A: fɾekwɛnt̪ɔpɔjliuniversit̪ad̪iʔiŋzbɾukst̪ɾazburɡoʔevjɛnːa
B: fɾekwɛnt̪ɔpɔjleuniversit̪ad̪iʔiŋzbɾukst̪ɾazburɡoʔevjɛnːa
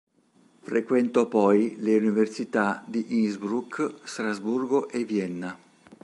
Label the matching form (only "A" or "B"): B